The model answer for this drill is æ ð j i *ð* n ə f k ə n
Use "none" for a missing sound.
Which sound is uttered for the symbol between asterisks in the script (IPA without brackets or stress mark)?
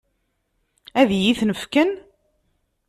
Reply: θ